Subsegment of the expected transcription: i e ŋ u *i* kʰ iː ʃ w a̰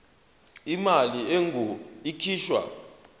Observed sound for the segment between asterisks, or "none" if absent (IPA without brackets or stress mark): i